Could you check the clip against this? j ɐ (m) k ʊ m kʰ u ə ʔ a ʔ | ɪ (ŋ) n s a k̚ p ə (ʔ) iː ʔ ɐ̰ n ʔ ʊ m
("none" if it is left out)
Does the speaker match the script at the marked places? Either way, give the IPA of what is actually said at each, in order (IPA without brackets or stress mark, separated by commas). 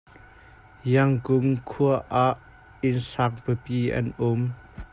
ŋ, none, p